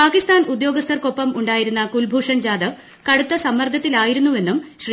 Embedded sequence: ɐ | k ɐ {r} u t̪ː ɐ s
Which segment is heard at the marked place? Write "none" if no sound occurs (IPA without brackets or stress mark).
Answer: ɽ